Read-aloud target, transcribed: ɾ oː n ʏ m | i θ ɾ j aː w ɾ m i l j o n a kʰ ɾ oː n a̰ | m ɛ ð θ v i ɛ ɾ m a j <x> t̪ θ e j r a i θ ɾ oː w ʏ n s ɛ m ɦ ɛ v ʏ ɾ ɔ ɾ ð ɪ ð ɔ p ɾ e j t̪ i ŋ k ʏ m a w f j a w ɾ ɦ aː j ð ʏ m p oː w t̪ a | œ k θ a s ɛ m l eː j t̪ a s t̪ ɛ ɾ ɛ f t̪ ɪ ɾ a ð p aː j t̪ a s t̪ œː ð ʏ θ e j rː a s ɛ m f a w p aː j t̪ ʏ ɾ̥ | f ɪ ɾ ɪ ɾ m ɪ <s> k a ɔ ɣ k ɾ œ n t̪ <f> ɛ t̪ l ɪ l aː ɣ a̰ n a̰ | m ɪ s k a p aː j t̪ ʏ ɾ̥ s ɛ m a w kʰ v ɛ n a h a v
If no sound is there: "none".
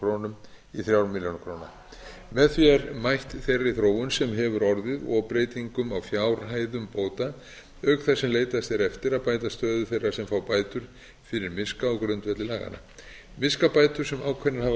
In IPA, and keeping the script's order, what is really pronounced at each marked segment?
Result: h, s, v

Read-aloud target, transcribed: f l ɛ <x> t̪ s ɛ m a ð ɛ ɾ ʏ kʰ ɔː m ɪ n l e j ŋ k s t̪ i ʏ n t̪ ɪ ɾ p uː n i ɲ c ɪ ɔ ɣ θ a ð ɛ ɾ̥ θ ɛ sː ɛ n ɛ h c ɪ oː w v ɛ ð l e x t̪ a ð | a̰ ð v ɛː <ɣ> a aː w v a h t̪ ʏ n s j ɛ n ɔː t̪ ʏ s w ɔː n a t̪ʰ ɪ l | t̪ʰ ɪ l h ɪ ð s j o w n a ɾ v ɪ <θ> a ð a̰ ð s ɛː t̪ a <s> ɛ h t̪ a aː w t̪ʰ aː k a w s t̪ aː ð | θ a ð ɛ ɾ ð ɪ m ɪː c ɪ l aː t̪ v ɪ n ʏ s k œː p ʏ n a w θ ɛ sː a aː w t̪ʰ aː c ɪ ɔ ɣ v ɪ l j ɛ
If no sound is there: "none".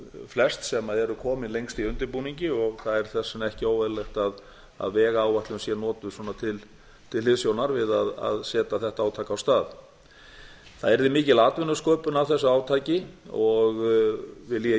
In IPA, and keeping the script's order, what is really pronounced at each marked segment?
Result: s, ɣ, ð, θ

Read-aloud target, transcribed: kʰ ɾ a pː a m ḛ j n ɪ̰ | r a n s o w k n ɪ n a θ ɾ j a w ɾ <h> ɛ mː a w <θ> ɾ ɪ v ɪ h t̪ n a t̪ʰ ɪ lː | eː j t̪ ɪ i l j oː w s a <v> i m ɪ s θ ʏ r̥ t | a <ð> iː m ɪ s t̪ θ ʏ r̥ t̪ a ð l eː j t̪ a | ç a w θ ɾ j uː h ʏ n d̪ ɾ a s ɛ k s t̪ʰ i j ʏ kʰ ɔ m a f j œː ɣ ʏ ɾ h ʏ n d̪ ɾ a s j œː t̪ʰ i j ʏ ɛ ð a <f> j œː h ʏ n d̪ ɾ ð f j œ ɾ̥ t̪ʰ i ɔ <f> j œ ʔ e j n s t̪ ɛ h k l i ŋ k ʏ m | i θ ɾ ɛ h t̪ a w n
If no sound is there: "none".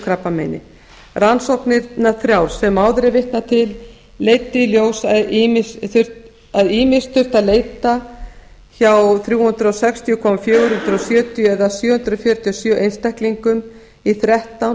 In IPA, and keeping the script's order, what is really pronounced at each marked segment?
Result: s, ð, ð, ð, s, s

